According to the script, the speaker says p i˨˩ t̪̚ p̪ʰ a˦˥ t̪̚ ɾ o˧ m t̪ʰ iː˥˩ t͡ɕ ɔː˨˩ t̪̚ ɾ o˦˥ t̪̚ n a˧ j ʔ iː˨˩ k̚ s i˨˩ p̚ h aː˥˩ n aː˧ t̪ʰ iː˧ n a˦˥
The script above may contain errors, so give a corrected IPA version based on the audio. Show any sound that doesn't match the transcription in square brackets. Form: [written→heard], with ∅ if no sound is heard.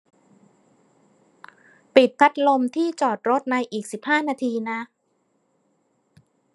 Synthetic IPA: p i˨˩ t̪̚ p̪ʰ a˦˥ t̪̚ [ɾ→l] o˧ m t̪ʰ iː˥˩ t͡ɕ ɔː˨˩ t̪̚ ɾ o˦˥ t̪̚ n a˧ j ʔ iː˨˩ k̚ s i˨˩ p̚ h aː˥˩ n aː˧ t̪ʰ iː˧ n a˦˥